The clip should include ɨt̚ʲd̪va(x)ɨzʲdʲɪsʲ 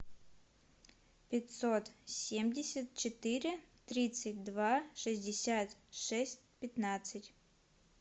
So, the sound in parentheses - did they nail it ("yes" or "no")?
no